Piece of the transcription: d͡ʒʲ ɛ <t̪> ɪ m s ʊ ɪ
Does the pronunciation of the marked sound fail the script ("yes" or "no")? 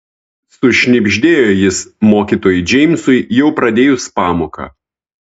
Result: yes